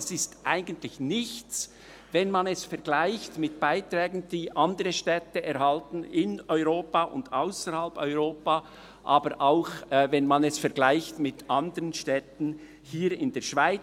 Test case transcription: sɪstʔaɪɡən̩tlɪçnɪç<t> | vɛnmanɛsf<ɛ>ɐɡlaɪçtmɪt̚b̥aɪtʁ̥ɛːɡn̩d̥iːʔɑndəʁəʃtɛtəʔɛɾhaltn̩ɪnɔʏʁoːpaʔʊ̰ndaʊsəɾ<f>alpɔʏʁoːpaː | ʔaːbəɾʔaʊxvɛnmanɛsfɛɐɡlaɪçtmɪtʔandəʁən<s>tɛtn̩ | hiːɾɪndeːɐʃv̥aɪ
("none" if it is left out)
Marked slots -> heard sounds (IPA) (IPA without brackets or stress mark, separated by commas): t͡s, ɛ, h, ʃ